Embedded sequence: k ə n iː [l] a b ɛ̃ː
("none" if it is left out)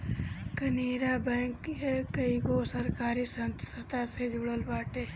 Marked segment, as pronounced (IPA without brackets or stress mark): ɾ